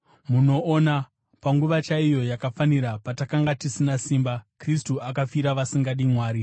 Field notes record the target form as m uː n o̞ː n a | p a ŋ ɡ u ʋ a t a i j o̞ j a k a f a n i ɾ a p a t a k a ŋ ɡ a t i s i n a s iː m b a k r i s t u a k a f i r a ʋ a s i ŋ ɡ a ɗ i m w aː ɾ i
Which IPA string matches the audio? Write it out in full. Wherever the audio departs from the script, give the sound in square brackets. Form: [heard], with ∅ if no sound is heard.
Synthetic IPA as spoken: m [u] n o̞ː n a | p a ŋ ɡ u ʋ a [t͡ʃ] a i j o̞ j a k a f a n i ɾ a p a t a k a ŋ ɡ a t i s i n a s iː m b a k r i s t u a k a f i [ɾ] a ʋ a s i ŋ ɡ a ɗ i m w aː ɾ i